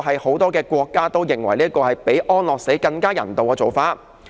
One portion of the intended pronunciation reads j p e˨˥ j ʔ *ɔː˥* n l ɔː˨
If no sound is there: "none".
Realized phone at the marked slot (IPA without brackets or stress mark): ɔː˥